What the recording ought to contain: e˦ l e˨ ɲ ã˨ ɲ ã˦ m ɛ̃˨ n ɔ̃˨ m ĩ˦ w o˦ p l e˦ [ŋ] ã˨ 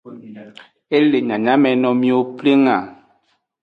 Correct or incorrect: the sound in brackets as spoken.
correct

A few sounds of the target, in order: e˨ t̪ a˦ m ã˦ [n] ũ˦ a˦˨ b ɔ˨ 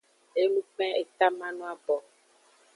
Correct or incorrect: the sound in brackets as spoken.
correct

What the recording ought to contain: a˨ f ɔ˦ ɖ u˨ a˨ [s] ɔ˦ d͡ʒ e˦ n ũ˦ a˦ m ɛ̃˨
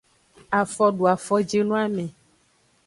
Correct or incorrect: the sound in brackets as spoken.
incorrect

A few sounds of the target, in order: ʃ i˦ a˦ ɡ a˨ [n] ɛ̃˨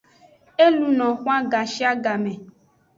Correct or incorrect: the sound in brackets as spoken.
incorrect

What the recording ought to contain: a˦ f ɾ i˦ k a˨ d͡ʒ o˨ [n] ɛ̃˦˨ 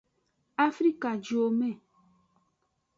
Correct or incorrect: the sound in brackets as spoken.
incorrect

